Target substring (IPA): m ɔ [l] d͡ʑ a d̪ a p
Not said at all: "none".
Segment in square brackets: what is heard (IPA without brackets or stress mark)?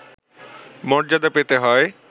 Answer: ɾ